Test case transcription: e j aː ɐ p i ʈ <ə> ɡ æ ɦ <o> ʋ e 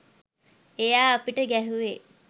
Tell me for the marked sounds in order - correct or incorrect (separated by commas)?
correct, incorrect